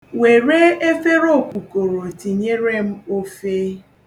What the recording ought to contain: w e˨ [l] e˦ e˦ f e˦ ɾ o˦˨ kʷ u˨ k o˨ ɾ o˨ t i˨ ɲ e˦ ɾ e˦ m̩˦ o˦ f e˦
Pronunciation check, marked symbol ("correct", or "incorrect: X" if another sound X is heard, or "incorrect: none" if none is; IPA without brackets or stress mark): incorrect: ɾ